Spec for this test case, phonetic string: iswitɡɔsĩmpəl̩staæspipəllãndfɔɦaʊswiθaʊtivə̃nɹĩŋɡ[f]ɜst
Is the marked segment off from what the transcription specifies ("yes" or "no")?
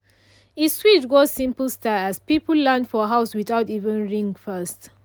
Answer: no